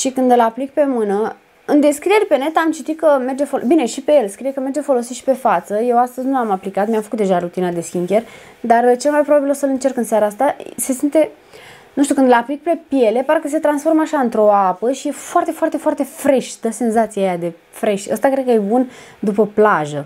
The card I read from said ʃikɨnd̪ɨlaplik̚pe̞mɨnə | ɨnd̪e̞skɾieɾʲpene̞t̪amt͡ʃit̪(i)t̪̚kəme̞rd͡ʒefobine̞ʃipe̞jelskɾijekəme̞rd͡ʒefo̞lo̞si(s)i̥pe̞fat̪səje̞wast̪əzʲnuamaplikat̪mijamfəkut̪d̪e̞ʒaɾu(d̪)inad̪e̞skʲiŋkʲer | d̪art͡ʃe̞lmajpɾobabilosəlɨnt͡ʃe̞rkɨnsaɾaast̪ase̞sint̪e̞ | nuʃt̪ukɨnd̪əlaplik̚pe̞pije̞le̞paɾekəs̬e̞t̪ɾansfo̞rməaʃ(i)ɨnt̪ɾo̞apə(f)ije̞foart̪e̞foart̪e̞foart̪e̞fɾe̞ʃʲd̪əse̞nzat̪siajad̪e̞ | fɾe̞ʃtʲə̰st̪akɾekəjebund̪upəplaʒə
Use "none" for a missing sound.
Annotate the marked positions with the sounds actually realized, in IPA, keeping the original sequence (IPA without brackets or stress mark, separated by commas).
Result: i, ʃ, t̪, a, ʃ